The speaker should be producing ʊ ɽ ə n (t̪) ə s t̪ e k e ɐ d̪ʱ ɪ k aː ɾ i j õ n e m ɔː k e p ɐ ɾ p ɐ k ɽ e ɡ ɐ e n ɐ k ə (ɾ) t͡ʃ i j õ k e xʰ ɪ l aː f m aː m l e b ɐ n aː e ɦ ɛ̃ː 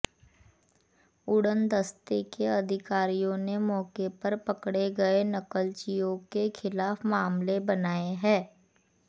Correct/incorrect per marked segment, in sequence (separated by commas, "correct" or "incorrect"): incorrect, incorrect